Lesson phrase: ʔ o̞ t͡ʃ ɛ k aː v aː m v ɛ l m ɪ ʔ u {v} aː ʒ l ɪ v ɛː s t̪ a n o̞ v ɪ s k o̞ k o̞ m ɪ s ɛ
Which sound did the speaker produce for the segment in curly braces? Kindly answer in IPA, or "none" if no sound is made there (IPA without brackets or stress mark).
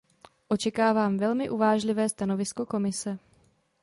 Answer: v